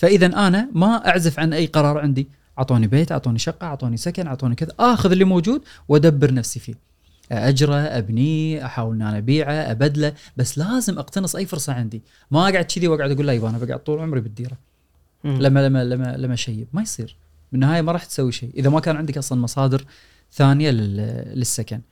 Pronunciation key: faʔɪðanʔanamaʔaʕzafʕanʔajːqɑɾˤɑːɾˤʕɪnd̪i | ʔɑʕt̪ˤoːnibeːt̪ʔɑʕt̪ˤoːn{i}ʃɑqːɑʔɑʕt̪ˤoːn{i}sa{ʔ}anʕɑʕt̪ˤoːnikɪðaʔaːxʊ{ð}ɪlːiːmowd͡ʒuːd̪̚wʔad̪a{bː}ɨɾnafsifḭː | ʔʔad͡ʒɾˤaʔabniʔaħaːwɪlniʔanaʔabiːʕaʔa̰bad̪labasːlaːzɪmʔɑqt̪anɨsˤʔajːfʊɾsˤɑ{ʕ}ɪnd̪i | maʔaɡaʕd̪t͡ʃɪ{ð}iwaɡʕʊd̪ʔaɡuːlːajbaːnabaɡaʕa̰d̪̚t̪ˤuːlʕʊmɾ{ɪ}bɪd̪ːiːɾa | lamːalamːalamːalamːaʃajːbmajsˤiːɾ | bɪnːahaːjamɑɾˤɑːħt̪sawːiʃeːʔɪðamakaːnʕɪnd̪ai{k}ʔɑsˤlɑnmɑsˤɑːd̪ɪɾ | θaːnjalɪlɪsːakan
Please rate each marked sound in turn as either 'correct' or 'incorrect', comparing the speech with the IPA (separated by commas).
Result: correct, correct, incorrect, correct, correct, correct, correct, incorrect, correct